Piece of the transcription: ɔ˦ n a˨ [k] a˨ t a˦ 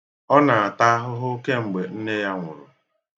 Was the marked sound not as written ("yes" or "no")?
yes